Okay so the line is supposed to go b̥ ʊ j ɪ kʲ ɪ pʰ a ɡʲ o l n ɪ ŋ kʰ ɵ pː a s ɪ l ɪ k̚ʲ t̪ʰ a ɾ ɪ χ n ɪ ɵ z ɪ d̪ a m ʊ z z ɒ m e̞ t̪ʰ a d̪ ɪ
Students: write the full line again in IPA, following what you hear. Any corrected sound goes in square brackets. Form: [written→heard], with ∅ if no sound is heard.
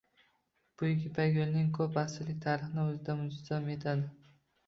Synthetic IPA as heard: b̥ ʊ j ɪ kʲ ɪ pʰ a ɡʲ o l n ɪ ŋ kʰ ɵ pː a s ɪ l ɪ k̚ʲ t̪ʰ a ɾ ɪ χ n ɪ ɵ z ɪ d̪ a m ʊ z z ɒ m e̞ t̪ʰ a d̪ ɪ